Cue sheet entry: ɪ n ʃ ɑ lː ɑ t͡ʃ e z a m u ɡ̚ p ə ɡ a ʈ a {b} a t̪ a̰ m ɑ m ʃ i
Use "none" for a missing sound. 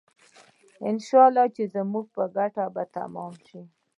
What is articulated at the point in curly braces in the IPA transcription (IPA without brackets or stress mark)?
b